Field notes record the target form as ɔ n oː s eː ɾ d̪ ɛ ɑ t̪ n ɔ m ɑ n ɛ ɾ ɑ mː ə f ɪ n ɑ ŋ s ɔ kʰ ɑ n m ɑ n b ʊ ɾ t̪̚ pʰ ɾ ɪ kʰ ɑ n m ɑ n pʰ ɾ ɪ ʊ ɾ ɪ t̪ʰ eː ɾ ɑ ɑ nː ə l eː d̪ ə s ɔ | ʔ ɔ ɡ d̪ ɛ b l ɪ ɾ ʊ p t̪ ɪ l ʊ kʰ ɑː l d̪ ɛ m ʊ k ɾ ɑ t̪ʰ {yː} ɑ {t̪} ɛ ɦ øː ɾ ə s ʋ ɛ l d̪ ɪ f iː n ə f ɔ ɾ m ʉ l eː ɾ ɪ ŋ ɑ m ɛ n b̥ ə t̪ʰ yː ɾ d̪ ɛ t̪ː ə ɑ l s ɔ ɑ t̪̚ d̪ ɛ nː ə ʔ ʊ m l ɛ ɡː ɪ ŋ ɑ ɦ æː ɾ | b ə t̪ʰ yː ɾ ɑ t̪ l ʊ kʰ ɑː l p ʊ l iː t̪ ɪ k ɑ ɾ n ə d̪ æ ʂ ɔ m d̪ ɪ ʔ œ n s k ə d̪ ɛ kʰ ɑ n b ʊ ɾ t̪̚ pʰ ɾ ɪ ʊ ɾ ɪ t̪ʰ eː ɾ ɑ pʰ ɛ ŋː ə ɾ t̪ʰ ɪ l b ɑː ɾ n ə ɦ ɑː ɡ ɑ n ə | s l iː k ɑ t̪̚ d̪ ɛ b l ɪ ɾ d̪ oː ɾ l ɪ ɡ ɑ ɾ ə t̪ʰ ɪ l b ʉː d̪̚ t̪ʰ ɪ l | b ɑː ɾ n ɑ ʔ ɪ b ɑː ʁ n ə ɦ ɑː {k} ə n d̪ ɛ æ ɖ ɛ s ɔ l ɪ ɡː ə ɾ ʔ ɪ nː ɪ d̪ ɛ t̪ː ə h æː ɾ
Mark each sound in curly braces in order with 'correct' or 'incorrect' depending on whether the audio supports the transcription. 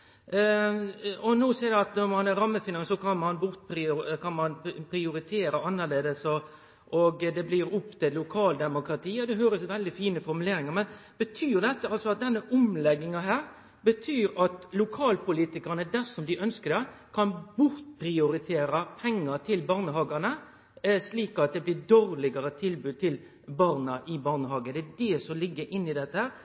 incorrect, incorrect, incorrect

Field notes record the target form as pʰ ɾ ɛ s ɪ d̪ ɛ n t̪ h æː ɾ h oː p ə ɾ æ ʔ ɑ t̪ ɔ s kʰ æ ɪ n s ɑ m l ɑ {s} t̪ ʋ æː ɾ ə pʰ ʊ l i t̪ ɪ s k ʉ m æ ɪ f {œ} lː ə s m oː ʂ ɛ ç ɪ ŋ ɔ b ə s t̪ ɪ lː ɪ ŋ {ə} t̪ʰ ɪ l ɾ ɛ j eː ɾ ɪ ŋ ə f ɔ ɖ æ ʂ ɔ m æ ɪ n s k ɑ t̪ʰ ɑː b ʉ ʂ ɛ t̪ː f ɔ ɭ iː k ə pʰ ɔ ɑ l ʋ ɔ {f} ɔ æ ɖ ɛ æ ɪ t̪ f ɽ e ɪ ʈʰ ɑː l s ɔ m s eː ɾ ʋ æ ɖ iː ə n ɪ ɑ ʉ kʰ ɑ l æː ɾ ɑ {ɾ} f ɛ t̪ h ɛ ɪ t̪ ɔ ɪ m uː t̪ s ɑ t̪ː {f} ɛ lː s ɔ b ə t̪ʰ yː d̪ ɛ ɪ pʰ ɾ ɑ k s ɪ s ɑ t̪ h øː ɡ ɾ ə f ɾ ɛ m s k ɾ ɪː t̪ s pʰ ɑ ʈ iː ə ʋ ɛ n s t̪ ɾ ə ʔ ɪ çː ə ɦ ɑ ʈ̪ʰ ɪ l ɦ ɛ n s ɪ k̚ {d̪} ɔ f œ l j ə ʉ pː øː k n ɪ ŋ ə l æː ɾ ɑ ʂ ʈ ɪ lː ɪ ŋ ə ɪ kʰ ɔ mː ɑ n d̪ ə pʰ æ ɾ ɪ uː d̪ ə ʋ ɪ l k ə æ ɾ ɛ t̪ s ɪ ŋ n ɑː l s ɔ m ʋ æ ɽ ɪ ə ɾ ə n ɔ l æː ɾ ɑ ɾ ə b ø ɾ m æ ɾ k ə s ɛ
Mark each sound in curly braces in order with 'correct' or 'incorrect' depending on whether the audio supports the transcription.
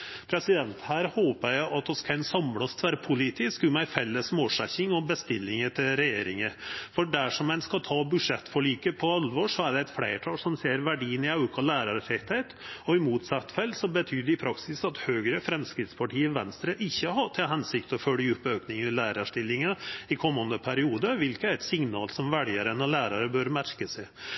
correct, incorrect, correct, incorrect, correct, correct, incorrect

